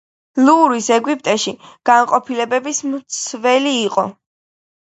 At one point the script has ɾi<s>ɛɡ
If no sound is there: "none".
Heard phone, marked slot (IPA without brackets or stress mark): s